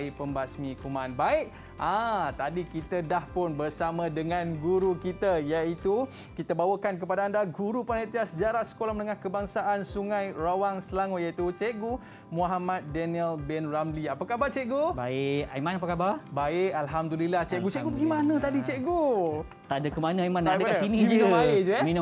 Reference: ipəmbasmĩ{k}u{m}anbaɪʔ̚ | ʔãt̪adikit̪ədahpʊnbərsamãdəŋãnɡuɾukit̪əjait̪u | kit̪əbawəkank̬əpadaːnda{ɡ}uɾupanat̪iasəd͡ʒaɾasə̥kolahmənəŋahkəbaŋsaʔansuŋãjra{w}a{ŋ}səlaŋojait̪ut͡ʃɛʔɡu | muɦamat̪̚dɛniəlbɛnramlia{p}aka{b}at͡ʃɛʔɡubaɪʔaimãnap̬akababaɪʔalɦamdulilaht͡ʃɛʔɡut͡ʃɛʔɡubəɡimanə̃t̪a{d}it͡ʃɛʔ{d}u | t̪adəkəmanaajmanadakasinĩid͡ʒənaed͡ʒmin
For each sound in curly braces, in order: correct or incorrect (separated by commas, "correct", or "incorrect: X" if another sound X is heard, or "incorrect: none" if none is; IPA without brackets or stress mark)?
correct, correct, correct, correct, correct, correct, correct, correct, incorrect: ɡ